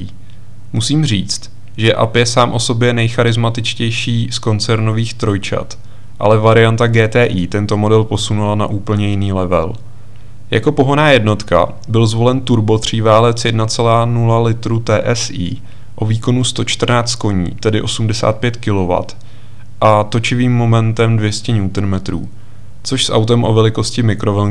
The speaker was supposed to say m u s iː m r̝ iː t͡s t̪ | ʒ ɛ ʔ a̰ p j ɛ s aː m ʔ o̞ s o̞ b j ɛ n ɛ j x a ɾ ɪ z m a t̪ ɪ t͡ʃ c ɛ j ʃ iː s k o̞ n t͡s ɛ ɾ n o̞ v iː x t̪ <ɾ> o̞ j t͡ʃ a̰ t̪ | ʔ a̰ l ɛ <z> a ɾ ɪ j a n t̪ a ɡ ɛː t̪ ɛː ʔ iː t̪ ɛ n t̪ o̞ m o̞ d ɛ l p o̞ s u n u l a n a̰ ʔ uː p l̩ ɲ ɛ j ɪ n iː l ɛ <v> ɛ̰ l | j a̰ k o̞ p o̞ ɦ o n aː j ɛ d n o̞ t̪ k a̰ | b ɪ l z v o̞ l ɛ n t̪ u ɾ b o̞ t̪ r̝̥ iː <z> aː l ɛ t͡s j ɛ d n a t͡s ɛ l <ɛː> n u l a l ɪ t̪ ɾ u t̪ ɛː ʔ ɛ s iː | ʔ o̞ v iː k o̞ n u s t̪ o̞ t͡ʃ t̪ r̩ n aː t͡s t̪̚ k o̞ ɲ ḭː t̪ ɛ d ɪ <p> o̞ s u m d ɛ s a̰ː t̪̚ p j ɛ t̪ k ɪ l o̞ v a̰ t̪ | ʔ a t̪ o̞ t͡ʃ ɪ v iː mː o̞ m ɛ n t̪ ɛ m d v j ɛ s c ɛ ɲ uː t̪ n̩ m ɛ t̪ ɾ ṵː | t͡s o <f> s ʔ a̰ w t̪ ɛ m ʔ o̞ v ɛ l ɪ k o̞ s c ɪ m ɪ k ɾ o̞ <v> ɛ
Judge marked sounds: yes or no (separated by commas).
yes, no, yes, no, no, no, no, yes